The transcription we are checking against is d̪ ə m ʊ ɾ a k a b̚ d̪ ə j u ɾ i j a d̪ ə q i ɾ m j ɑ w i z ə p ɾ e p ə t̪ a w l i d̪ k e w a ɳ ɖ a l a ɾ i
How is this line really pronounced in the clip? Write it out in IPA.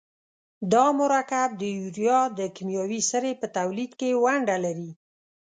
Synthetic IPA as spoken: d̪ ɑ m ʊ ɾ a k a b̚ d̪ ə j u ɾ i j ɑ d̪ ə k i m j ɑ w i s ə ɾ e p ə t̪ a w l i d̪ k e w a ɳ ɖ a l a ɾ i